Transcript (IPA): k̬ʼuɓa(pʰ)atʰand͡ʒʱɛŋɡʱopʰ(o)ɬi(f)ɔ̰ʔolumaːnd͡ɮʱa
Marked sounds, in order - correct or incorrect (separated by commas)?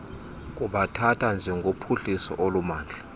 incorrect, incorrect, incorrect